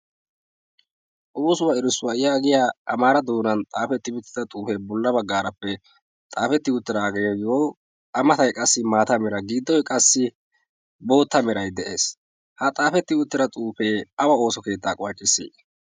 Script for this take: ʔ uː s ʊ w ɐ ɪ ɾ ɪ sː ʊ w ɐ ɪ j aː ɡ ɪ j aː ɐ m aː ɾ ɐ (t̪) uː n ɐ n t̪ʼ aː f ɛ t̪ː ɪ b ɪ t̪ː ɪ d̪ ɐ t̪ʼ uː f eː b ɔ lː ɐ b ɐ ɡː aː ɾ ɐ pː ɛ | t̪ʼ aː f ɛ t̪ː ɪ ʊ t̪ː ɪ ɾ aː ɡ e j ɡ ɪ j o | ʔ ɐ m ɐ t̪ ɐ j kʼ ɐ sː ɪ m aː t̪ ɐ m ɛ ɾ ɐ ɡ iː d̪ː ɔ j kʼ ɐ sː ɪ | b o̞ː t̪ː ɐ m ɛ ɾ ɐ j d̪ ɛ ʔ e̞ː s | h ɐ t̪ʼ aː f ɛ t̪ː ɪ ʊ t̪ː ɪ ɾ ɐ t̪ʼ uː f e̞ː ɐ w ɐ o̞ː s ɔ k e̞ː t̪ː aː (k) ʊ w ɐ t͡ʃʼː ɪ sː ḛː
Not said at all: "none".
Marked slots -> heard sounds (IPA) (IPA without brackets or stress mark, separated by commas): d̪, kʼ